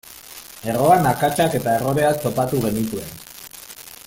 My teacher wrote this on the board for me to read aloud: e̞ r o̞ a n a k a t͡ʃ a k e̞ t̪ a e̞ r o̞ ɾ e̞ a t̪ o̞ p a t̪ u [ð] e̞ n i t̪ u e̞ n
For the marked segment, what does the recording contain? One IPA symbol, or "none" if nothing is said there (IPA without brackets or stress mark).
ɣ